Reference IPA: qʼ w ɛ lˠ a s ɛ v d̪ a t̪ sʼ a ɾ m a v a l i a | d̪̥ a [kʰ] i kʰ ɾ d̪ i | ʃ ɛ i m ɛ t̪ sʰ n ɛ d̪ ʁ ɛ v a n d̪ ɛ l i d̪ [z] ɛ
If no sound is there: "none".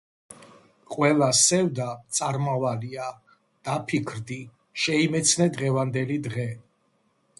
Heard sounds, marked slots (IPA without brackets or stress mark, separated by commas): pʰ, ʁ